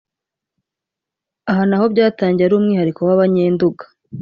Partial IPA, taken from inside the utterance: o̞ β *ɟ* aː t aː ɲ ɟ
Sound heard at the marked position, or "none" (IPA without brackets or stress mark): ɟ